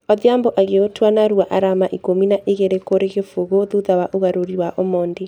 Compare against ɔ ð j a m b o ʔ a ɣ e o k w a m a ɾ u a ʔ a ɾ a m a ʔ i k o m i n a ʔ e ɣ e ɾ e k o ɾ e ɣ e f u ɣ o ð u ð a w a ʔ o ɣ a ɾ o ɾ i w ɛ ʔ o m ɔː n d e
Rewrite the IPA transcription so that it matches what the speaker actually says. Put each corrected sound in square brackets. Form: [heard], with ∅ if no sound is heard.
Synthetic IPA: ɔ ð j a m b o ʔ a ɣ e o [t] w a [n] a ɾ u a ʔ a ɾ a m a ʔ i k o m i n a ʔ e ɣ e ɾ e k o ɾ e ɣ e f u ɣ o ð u ð a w a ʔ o ɣ a ɾ o ɾ i w [a] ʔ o m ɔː n d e